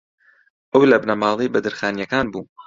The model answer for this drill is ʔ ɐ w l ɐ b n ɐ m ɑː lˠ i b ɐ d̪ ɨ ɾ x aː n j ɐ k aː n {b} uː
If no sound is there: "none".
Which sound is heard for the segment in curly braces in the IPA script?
b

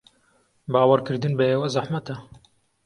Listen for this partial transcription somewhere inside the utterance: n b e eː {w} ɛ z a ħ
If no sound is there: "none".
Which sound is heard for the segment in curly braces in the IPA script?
w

